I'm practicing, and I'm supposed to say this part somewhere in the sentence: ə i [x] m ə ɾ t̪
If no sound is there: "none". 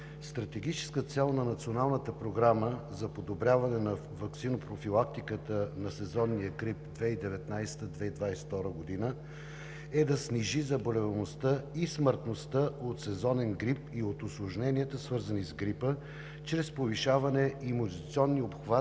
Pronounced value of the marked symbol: s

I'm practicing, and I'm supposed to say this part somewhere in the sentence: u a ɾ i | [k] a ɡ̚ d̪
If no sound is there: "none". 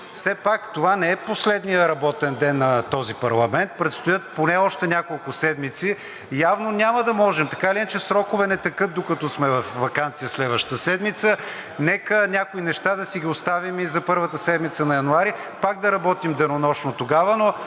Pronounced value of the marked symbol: p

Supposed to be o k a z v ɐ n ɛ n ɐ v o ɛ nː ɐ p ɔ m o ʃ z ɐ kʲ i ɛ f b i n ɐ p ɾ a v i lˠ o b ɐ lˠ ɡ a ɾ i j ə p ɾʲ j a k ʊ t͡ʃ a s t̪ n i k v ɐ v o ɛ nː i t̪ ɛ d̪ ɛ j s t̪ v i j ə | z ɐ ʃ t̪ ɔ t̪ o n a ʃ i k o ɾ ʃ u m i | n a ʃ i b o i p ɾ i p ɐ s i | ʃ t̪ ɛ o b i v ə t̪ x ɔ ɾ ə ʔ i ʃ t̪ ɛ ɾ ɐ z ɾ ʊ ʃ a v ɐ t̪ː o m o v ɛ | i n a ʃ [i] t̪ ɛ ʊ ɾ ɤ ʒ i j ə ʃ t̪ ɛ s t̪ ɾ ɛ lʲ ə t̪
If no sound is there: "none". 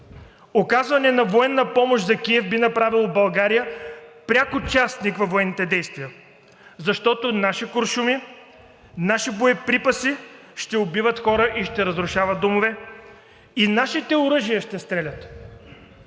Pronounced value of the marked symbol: i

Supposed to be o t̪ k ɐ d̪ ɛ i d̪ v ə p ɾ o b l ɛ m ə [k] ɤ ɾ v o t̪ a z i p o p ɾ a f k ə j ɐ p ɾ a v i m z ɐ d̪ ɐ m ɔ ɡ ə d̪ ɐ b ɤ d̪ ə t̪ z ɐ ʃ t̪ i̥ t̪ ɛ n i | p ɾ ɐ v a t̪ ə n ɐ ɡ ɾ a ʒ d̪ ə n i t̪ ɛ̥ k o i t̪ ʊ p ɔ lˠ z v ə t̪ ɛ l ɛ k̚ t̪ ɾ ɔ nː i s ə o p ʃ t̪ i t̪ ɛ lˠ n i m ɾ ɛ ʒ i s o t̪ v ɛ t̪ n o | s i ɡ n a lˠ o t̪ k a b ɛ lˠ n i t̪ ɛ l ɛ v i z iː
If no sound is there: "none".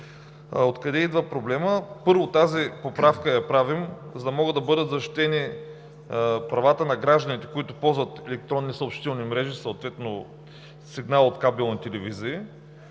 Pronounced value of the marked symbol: p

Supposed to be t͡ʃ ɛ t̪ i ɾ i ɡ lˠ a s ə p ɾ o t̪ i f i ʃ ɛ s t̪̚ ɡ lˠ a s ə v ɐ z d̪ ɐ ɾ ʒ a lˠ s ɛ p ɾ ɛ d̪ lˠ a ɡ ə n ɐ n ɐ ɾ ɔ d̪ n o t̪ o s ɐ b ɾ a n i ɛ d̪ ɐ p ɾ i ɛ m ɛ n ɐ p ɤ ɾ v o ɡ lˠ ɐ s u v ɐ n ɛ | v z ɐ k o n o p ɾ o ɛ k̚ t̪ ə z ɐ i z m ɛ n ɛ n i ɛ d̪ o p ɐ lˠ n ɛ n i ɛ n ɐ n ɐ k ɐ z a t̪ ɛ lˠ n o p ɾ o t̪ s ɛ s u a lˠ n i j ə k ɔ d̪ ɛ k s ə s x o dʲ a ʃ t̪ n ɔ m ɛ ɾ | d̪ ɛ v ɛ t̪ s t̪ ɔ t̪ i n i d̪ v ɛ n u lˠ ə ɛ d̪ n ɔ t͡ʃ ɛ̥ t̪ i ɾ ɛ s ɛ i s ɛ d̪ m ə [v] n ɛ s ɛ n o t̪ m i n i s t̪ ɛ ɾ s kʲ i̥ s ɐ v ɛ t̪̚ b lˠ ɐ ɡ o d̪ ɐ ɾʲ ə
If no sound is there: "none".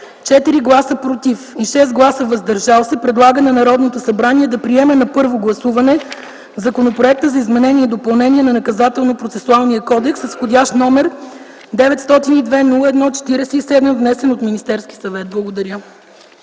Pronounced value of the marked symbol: v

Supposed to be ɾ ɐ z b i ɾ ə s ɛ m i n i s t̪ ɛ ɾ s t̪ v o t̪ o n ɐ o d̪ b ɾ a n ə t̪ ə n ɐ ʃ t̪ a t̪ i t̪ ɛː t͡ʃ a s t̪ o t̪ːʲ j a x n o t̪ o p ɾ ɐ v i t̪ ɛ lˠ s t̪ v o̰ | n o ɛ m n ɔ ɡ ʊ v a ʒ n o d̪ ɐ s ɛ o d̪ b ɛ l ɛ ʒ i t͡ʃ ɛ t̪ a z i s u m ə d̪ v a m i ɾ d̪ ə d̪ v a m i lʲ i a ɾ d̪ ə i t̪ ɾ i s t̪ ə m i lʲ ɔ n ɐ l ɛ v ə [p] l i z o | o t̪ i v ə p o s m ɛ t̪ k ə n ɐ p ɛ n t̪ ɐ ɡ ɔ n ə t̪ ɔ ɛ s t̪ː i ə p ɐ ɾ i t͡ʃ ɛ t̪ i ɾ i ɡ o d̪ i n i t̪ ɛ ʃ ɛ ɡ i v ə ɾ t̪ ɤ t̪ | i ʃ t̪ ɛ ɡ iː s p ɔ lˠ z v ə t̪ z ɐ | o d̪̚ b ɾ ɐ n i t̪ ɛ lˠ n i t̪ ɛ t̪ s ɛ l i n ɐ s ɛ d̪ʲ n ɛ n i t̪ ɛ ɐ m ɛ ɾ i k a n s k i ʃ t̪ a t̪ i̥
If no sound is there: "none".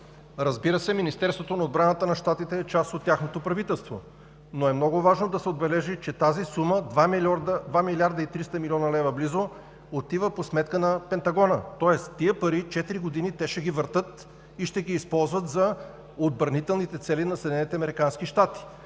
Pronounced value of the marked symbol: b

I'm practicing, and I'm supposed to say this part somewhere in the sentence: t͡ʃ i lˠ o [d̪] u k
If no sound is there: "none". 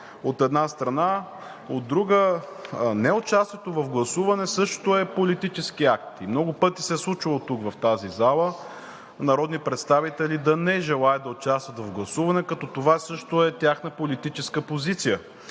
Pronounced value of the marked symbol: t̪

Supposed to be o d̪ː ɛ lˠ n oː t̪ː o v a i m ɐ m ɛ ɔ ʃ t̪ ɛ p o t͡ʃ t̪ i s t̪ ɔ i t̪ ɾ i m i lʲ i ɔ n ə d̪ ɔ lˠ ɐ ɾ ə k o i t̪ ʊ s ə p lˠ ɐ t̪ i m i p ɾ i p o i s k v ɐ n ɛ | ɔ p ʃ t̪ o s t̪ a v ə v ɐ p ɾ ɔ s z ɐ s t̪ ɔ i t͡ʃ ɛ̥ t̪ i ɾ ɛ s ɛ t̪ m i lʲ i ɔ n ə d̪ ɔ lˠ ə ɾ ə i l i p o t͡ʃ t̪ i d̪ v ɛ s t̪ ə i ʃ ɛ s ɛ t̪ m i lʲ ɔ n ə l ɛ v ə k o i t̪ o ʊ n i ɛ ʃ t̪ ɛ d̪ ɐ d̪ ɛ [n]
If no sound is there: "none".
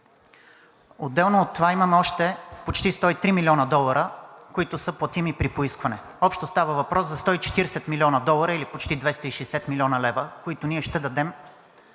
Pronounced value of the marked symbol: m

